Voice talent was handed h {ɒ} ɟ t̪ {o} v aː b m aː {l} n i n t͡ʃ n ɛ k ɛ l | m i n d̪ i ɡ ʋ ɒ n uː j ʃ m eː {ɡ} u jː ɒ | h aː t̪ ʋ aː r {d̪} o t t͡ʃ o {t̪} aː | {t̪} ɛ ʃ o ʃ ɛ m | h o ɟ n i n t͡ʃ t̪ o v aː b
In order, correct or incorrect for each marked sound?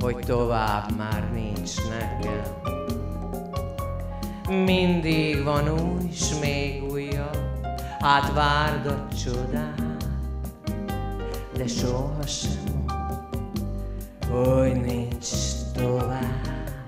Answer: incorrect, correct, incorrect, correct, correct, incorrect, incorrect

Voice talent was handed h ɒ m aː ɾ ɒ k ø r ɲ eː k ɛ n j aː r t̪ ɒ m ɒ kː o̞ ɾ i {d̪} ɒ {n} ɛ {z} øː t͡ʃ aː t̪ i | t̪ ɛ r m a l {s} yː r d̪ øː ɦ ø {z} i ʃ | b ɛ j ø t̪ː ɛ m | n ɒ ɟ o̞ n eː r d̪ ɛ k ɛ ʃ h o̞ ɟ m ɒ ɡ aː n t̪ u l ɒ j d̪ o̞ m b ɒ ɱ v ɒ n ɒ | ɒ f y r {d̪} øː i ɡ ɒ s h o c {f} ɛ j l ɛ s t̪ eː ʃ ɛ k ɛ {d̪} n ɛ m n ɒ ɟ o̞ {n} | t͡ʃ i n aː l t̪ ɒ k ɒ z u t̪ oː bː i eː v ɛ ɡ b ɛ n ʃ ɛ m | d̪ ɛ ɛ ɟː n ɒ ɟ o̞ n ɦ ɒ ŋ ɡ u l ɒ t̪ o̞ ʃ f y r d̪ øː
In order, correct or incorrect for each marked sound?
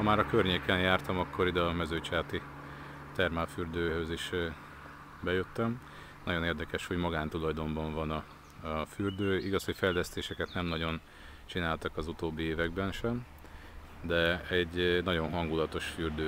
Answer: correct, incorrect, correct, incorrect, correct, correct, correct, incorrect, correct

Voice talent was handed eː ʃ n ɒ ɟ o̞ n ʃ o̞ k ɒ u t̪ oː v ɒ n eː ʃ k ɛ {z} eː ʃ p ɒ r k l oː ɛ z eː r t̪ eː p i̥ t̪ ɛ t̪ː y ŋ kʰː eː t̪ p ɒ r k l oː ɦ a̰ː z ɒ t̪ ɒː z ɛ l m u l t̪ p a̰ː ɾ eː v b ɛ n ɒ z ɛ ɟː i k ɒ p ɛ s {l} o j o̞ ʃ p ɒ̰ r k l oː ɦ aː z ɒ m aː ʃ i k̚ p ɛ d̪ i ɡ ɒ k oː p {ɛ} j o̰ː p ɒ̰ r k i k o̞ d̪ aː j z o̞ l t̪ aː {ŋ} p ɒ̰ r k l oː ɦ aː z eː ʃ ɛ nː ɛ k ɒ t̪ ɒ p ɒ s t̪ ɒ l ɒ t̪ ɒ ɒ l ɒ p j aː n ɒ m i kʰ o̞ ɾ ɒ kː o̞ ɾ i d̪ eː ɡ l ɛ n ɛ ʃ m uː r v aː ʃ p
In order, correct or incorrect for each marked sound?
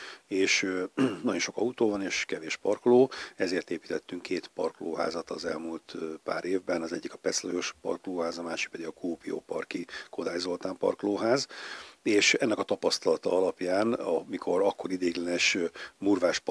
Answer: incorrect, correct, incorrect, incorrect

